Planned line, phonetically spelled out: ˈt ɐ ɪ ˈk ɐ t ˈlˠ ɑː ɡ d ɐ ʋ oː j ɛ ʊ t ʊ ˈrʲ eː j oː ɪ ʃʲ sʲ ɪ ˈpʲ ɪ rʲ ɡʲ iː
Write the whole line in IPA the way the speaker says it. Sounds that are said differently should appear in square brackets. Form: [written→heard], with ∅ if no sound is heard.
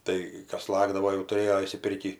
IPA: ˈt ɐ ɪ ˈk ɐ [t→s] ˈlˠ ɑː ɡ d ɐ ʋ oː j ɛ ʊ t ʊ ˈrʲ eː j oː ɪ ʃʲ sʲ ɪ ˈpʲ ɪ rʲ [ɡʲ→kʲ] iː